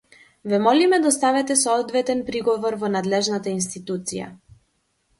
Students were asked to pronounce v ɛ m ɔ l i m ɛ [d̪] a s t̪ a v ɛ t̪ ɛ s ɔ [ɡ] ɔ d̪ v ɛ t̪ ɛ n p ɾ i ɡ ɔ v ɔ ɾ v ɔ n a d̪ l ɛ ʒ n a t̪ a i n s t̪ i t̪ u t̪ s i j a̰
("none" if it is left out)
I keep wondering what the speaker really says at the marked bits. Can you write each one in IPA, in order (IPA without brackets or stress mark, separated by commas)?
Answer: d̪, none